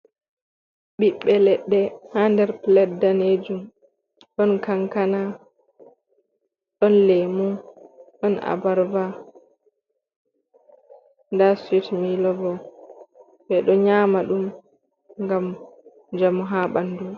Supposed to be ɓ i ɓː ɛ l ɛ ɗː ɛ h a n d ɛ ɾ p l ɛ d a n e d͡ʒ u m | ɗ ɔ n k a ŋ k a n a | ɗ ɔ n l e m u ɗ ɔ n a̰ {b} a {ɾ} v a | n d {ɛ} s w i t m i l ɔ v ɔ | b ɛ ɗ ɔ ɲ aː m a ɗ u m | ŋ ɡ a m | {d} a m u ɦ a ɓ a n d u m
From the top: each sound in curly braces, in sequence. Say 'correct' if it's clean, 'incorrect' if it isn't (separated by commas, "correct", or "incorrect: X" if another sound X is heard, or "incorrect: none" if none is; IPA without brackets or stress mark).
correct, correct, incorrect: a, incorrect: d͡ʒ